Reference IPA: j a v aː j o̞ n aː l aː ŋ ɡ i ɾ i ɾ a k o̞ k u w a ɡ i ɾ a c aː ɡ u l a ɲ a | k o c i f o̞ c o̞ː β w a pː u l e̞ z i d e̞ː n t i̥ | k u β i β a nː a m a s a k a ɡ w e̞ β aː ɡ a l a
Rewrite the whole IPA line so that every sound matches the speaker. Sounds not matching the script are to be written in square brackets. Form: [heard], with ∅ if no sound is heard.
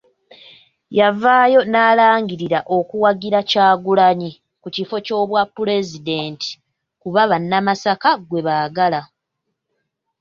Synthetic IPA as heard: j a v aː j o̞ n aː l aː ŋ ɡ i ɾ i ɾ a [ʔ] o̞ k u w a ɡ i ɾ a c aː ɡ u l a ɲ [i] | k [u] c i f o̞ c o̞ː β w a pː u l e̞ z i d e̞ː n t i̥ | k u β [a] β a nː a m a s a k a ɡ w e̞ β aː ɡ a l a

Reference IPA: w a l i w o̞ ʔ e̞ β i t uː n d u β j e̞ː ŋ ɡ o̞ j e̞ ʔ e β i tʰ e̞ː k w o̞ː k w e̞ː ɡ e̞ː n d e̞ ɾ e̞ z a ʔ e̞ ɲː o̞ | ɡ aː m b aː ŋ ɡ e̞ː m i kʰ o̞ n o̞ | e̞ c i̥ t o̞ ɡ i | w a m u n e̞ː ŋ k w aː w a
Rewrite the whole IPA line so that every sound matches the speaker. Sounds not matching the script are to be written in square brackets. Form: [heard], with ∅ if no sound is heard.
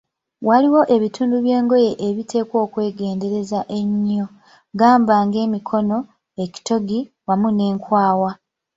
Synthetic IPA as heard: w a l i w o̞ ʔ e̞ β i t uː n d u β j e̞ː ŋ ɡ o̞ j e̞ ʔ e β i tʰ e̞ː k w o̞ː k w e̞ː ɡ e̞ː n d e̞ ɾ e̞ z a ʔ e̞ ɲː o̞ | ɡ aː m b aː ŋ ɡ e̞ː m i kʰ o̞ n o̞ | e̞ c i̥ t o̞ ɡ i | w a m u n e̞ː ŋ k w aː w a

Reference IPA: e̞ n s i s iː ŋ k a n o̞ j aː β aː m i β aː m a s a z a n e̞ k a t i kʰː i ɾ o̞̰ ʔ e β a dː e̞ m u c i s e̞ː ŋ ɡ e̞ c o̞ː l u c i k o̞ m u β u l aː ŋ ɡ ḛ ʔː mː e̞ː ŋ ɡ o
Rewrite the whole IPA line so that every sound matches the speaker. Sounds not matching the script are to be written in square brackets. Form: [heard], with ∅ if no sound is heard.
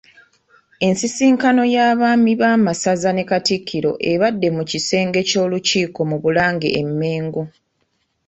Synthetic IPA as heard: e̞ n s i s iː ŋ k a n o̞ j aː β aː m i β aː m a s a z a n e̞ k a t i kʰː i ɾ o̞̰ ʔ e β a dː e̞ m u c i s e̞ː ŋ ɡ e̞ c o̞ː l u c [iː] k o̞ m u β u l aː ŋ ɡ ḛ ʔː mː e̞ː ŋ ɡ o

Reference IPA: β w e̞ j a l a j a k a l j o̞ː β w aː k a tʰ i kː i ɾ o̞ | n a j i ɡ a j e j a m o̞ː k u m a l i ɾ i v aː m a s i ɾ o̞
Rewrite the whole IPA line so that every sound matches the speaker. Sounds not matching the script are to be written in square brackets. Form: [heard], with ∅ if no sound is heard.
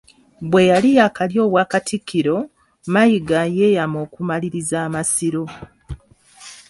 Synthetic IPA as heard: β w e̞ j a l [i] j a k a l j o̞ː β w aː k a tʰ i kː i ɾ o̞ | [m] a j i ɡ a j e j a m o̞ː k u m a l i ɾ i [z] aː m a s i ɾ o̞

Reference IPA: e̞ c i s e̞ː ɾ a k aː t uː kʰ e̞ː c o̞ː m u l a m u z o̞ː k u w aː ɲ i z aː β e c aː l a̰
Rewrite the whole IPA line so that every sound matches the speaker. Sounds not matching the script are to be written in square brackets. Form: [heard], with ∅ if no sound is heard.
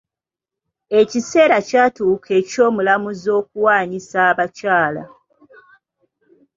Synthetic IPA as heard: e̞ c i s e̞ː ɾ a [c] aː t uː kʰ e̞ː c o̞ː m u l a m u z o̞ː k u w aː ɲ i [s] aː β [a] c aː l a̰

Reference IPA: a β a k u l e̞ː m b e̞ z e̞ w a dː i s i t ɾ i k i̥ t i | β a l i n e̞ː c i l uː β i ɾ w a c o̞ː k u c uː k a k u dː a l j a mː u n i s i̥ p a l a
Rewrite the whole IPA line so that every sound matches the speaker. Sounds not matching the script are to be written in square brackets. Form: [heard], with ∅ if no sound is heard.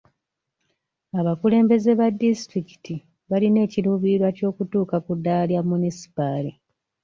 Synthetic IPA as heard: a β a k u l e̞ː m b e̞ z e̞ [β] a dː i s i t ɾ i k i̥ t i | β a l i n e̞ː c i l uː β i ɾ w a c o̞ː k u [t] uː k a k u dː a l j a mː u n i s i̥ p a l [i]

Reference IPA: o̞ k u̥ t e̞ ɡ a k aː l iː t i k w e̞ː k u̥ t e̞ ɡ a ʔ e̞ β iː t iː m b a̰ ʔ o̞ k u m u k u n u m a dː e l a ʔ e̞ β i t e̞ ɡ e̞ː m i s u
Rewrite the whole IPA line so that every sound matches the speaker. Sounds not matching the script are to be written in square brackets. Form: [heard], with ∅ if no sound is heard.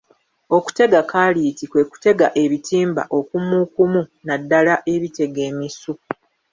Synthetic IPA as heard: o̞ k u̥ t e̞ ɡ a k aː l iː t i k w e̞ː k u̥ t e̞ ɡ a ʔ e̞ β [i] t iː m b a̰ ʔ o̞ k u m u k u [m] u [n] a dː [a] l a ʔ e̞ β i t e̞ ɡ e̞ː m i s u

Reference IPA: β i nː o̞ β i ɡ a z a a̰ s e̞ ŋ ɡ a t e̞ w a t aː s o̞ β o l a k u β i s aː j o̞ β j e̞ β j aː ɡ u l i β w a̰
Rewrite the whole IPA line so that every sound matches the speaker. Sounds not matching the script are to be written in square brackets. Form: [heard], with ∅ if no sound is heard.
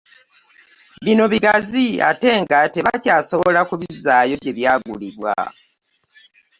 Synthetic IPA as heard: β i [n] o̞ β i ɡ a z [i] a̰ [t] e̞ ŋ ɡ a t e̞ [β] a [c] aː s o̞ β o l a k u β i [z] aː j o̞ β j e̞ β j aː ɡ u l i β w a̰

